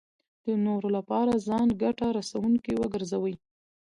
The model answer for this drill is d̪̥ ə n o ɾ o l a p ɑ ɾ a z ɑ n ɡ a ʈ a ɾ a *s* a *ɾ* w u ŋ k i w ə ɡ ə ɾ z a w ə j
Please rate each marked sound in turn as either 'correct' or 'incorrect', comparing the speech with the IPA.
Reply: correct, incorrect

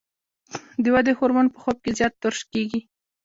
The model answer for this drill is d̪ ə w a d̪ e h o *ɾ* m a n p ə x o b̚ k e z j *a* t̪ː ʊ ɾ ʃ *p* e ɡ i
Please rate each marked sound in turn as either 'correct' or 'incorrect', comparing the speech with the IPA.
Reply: correct, incorrect, incorrect

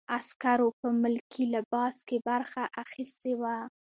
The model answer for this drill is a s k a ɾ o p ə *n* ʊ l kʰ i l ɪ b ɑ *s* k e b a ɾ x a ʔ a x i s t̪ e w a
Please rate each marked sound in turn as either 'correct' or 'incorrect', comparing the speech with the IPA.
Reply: incorrect, correct

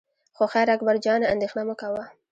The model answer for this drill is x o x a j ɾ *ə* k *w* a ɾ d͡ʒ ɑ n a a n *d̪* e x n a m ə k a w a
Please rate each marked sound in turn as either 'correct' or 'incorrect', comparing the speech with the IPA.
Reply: incorrect, incorrect, correct

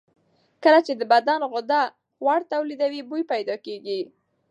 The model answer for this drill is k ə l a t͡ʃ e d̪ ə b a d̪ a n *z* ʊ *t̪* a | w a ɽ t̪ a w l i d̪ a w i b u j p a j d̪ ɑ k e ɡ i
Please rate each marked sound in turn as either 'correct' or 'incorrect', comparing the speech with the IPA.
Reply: incorrect, incorrect

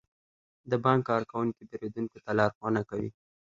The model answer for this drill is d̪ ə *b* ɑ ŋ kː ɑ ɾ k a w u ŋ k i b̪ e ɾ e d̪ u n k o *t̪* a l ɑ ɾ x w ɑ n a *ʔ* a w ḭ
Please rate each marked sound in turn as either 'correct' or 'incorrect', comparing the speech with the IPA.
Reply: correct, correct, incorrect

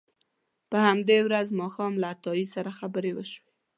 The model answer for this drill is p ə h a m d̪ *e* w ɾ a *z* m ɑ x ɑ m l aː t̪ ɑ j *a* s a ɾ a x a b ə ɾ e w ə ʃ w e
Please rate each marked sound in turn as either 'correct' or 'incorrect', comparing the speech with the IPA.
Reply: correct, correct, incorrect

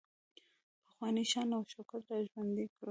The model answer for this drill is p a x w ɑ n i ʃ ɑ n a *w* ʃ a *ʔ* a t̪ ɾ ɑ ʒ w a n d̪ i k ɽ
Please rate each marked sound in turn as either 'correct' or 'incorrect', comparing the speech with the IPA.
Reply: correct, incorrect

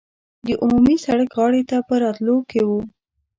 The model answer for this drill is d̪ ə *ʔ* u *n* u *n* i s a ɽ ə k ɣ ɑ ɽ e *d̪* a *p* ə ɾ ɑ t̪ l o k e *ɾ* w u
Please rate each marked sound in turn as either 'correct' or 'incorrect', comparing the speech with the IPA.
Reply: correct, incorrect, incorrect, incorrect, correct, incorrect

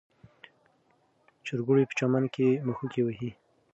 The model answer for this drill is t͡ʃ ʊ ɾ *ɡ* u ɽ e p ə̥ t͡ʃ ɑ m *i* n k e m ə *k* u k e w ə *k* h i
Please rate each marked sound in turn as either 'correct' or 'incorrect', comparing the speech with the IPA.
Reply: correct, incorrect, incorrect, incorrect

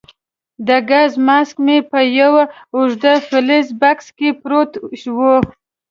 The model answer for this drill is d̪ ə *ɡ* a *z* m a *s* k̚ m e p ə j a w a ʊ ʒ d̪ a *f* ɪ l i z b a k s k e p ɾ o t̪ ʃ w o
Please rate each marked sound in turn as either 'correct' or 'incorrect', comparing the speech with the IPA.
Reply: correct, correct, correct, correct

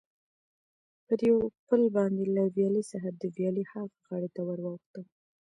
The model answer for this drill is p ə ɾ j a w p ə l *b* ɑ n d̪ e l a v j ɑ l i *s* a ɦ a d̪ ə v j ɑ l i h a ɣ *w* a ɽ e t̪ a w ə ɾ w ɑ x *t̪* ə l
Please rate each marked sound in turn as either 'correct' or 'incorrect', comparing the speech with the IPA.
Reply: correct, correct, incorrect, correct

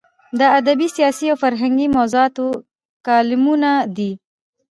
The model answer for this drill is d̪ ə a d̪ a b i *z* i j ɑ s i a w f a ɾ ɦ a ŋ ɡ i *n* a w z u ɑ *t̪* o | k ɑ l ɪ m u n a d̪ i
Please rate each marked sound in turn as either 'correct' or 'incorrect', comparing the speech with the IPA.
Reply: incorrect, incorrect, correct

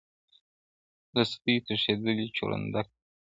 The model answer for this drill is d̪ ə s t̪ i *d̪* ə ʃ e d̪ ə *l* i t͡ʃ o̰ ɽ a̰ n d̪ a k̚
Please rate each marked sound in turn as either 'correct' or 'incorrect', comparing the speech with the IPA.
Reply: incorrect, correct

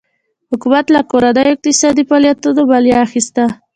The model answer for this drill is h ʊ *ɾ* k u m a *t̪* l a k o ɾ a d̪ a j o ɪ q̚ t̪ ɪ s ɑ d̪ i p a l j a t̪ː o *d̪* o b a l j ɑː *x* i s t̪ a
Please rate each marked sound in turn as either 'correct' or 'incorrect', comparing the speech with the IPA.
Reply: incorrect, correct, correct, correct

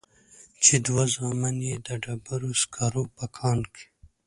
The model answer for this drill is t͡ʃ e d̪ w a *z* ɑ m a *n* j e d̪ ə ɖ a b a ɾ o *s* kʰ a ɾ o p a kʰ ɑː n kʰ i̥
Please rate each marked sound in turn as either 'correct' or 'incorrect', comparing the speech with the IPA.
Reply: correct, correct, correct

